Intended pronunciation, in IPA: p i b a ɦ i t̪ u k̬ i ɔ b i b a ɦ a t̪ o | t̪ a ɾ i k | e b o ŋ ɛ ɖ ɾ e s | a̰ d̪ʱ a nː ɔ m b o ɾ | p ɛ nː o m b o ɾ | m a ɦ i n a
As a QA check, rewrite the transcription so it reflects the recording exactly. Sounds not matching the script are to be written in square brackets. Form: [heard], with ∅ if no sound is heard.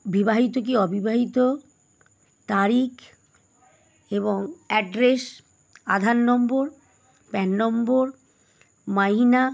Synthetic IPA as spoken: [b] i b a ɦ i t̪ [o] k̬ i ɔ b i b a ɦ [i] t̪ o | t̪ a ɾ i k | e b o ŋ ɛ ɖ ɾ e s | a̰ d̪ʱ a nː ɔ m b o ɾ | p ɛ nː [ɔ] m b o ɾ | m a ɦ i n a